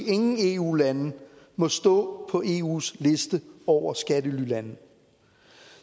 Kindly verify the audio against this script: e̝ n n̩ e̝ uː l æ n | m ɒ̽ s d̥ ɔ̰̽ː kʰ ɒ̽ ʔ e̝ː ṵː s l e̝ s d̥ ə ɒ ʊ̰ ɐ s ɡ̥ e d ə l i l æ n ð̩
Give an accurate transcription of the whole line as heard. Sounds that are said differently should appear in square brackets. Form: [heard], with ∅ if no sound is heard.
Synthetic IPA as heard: e̝ [ŋ] n̩ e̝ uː l æ n | m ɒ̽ s d̥ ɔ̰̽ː [pʰ] ɒ̽ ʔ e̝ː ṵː s l e̝ s d̥ ə ɒ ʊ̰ ɐ s ɡ̥ [æ] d ə l [y] l æ n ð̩

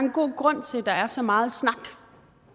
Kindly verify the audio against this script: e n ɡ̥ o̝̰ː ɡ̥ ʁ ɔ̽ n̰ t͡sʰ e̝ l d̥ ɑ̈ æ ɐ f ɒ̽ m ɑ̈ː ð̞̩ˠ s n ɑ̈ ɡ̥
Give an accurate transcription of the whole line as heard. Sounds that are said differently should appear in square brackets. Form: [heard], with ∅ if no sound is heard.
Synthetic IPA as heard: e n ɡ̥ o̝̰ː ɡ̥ ʁ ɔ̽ n̰ t͡sʰ e̝ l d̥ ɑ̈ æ ɐ [s] ɒ̽ m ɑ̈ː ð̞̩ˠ s n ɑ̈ ɡ̥

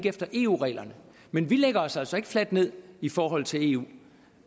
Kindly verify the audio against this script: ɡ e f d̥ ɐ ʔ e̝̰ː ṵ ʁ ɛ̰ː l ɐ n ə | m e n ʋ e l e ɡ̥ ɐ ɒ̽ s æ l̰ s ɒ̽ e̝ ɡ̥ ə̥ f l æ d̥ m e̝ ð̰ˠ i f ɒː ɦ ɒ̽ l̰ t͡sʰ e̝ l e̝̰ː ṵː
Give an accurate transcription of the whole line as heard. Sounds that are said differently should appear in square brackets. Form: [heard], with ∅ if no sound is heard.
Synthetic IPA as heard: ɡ e f d̥ ɐ ʔ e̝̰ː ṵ ʁ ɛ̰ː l ɐ n ə | m e n ʋ [i] l e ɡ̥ ɐ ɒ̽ s æ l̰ s ɒ̽ e̝ ɡ̥ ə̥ f l æ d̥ [n] e̝ ð̰ˠ i f ɒː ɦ ɒ̽ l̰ t͡sʰ e̝ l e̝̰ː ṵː

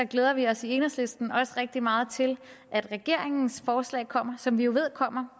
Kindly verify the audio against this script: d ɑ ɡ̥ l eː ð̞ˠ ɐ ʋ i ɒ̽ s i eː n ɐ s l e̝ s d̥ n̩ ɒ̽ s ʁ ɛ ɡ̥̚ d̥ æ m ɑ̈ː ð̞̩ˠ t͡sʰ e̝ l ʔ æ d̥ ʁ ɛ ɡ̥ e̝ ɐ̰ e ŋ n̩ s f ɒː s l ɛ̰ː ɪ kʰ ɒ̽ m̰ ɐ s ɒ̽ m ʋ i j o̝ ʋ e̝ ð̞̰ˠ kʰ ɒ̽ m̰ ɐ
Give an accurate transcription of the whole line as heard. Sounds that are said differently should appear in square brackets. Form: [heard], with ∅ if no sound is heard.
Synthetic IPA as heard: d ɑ ɡ̥ l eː ð̞ˠ ɐ ʋ i ɒ̽ s i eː n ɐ s l e̝ s d̥ n̩ ɒ̽ s ʁ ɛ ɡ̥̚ d̥ [i] m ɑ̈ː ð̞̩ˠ t͡sʰ e̝ l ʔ æ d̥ ʁ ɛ ɡ̥ e̝ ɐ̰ e ŋ n̩ s f ɒː s l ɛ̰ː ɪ kʰ ɒ̽ m̰ ɐ s ɒ̽ m ʋ i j o̝ ʋ e̝ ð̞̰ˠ kʰ ɒ̽ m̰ ɐ

